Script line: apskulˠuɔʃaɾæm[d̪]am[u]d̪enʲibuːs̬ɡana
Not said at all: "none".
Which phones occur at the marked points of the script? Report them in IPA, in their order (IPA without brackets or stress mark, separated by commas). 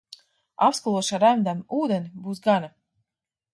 d̪, uː